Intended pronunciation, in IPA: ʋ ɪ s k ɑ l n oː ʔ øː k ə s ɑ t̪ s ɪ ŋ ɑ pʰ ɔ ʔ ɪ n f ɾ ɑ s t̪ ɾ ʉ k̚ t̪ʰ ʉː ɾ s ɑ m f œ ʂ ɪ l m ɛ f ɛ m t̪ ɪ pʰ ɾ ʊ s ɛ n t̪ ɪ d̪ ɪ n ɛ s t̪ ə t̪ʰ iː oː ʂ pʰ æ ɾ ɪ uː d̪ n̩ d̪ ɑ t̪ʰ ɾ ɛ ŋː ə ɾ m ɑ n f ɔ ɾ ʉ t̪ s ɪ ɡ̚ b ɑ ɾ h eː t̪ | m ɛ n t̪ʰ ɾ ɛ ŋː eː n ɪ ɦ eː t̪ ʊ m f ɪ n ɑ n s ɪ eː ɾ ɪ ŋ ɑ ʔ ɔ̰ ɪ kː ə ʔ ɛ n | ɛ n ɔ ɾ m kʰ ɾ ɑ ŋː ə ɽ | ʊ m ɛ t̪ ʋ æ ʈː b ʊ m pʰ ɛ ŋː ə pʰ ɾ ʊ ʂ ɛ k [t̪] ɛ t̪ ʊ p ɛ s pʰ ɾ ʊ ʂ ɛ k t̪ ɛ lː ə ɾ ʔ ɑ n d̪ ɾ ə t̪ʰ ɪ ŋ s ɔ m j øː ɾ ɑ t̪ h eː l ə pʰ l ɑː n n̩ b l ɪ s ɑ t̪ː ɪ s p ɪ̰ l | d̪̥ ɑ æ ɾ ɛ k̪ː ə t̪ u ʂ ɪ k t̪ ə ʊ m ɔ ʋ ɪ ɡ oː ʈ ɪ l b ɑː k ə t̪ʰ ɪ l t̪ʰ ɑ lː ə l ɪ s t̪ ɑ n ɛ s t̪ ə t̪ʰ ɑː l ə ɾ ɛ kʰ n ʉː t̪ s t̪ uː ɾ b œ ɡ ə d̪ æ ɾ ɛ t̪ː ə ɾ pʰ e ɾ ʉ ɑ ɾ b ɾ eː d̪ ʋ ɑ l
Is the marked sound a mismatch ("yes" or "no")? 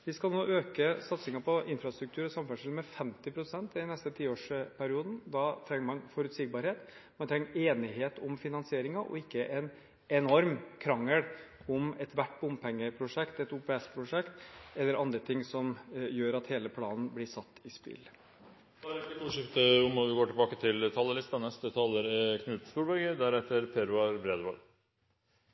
no